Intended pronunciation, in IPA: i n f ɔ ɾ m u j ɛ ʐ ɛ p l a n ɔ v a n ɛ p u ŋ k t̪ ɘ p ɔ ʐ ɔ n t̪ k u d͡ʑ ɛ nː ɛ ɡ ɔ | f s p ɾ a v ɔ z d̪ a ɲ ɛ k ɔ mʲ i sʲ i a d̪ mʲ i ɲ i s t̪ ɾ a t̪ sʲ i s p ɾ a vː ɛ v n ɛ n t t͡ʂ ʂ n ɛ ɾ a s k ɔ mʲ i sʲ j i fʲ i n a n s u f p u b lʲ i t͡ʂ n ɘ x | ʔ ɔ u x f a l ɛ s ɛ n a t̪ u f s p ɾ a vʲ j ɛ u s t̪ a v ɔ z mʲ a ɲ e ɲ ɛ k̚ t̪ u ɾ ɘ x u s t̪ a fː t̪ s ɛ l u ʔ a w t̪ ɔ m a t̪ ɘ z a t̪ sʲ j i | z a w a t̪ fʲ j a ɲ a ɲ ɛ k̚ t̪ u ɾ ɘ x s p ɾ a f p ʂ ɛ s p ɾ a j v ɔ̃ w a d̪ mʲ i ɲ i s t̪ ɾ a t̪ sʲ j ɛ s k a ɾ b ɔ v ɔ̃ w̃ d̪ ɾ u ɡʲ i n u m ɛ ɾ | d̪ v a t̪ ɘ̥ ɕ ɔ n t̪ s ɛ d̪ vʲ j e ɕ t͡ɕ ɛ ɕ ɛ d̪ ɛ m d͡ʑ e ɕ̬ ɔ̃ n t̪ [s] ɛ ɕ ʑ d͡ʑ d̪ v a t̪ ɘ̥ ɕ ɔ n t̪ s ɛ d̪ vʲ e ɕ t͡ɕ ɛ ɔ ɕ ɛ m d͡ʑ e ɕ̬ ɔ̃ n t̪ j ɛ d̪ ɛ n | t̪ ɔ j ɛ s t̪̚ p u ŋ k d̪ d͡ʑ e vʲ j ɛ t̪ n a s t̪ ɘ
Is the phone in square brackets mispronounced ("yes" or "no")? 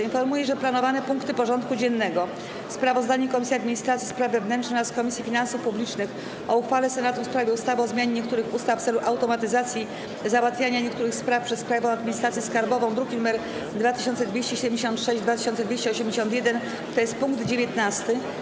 yes